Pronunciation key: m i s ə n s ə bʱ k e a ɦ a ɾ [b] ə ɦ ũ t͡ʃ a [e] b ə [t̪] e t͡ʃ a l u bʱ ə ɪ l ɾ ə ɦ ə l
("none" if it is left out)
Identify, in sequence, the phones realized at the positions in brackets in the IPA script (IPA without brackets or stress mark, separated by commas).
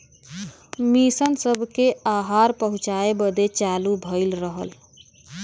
p, e, d̪